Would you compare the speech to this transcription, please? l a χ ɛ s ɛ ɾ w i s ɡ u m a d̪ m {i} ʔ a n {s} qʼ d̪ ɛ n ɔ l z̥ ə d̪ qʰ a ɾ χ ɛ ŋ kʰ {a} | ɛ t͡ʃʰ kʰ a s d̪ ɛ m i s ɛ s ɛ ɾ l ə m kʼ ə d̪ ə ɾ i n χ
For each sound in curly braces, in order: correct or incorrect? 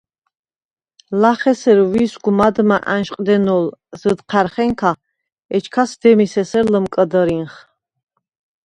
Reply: incorrect: a, incorrect: ʃ, correct

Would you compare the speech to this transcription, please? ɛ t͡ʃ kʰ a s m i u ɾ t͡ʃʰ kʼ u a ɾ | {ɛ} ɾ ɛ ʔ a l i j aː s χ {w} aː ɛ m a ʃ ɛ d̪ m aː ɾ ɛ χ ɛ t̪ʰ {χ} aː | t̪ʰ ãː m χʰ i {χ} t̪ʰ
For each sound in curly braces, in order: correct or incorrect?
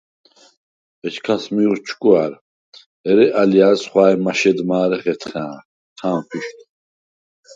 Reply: correct, correct, correct, incorrect: ʃ

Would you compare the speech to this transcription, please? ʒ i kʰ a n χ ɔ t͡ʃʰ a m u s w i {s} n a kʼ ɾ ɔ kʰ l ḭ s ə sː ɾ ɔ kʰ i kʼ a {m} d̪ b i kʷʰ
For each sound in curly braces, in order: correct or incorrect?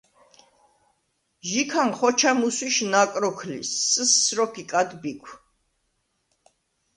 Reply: incorrect: ʃ, incorrect: none

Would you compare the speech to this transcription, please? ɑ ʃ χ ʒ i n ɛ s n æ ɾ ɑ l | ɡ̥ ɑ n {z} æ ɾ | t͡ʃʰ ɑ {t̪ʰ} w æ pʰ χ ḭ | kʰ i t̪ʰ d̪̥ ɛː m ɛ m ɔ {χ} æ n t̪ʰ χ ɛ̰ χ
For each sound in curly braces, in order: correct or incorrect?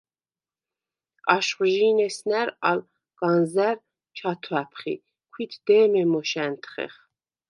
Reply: correct, correct, incorrect: ʃ

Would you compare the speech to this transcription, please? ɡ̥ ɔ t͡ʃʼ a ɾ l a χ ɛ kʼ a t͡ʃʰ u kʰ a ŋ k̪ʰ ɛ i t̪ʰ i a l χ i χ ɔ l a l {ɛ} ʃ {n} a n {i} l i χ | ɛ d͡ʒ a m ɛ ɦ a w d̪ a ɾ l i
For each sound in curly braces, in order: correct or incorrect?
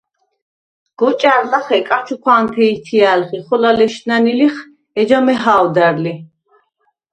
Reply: correct, correct, correct

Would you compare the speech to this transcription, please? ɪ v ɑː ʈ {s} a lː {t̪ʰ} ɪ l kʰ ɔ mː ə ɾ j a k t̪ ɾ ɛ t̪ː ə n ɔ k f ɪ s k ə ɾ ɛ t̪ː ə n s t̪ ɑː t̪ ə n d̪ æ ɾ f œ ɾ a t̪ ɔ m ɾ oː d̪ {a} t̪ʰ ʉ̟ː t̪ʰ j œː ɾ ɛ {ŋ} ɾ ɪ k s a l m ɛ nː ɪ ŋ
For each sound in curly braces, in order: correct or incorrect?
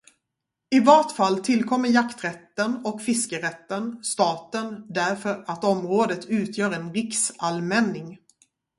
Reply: incorrect: f, correct, incorrect: ə, incorrect: n

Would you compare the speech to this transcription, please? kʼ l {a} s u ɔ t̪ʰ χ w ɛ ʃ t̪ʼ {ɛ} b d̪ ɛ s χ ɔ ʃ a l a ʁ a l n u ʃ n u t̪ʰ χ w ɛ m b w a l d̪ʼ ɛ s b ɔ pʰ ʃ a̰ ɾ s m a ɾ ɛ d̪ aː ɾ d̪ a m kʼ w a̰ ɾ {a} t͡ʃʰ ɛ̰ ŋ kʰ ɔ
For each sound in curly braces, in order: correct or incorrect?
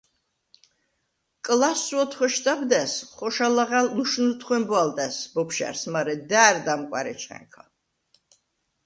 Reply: correct, incorrect: a, incorrect: ɛ

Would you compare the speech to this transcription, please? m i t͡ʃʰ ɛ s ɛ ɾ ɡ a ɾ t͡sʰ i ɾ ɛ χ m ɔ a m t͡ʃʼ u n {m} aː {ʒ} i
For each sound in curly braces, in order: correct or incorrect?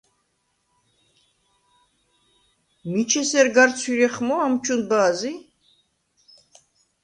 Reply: incorrect: b, incorrect: z

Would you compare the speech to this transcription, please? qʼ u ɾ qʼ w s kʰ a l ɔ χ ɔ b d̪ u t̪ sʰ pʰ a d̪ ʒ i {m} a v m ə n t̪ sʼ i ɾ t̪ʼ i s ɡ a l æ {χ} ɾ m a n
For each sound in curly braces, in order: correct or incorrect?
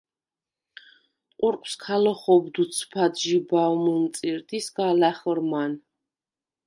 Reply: incorrect: b, correct

